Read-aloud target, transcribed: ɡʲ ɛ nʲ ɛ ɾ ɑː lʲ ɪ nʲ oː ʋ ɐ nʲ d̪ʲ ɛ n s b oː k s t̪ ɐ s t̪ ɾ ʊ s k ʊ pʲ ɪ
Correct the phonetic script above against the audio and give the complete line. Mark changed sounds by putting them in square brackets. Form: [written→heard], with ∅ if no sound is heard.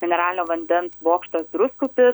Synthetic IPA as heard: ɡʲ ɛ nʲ ɛ ɾ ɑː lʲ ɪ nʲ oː ʋ ɐ nʲ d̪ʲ ɛ n s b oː k [s→ʃ] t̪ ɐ s [t̪→d̪] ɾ ʊ s k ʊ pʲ ɪ